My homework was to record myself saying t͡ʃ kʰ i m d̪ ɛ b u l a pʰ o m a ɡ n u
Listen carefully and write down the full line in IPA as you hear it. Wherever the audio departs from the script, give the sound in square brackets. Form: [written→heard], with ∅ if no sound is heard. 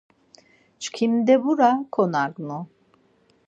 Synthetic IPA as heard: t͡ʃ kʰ i m d̪ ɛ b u [l→ɾ] a [pʰ→kʰ] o [m→n] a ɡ n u